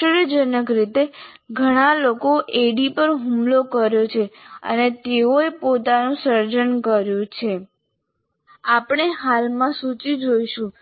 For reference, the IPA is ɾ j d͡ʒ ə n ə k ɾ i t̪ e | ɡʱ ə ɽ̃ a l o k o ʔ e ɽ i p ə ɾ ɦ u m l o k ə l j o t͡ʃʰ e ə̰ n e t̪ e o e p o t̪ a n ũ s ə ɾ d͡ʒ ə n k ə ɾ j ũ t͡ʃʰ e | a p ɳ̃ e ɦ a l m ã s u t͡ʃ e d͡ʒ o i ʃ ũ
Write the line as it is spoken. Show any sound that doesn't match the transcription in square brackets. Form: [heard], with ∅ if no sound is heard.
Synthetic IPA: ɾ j d͡ʒ ə n ə k ɾ i t̪ e | ɡʱ ə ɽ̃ a l o k o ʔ e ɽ i p ə ɾ ɦ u m l o k ə [ɾ] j o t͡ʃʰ e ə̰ n e t̪ e o e p o t̪ a n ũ s ə ɾ d͡ʒ ə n k ə ɾ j ũ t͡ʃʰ e | a p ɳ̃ e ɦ a l m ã s u t͡ʃ [i] d͡ʒ o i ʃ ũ